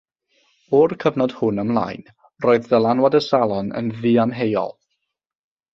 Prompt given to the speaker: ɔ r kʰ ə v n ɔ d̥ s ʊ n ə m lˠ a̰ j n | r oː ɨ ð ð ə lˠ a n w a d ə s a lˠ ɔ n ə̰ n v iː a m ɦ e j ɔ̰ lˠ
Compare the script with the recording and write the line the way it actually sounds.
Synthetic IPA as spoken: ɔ r kʰ ə v n ɔ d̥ h ʊ n ə m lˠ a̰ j n | r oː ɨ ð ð ə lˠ a n w a d ə s a lˠ ɔ n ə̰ n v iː a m ɦ e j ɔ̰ lˠ